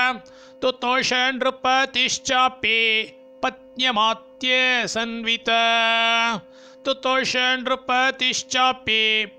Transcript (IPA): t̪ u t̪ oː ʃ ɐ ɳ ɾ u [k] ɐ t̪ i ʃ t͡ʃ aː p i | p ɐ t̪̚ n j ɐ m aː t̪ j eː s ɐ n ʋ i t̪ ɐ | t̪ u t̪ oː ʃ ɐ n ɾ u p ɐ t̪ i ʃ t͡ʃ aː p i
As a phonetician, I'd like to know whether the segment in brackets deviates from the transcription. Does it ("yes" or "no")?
yes